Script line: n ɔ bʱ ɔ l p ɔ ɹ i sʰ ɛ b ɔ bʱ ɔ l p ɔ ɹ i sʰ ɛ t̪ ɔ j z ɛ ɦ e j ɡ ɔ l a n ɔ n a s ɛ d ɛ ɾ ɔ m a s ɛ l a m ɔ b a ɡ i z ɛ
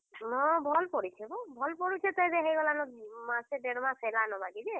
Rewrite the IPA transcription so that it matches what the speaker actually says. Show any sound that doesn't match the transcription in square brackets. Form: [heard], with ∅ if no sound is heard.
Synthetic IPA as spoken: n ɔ bʱ ɔ l p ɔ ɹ i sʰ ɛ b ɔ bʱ ɔ l p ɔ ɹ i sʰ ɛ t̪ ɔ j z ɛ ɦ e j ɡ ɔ l a n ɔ [m] a s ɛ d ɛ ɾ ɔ m a s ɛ l a [n] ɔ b a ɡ i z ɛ